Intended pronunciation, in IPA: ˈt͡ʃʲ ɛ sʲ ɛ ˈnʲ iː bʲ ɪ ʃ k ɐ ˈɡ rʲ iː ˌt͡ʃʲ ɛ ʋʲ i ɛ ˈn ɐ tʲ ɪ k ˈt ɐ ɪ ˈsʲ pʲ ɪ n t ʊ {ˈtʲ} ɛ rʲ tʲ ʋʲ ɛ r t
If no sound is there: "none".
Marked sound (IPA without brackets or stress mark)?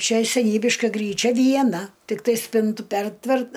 pʲ